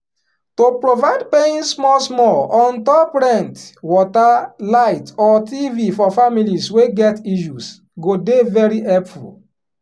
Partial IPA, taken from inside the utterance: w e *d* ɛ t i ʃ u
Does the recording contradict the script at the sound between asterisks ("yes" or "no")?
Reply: yes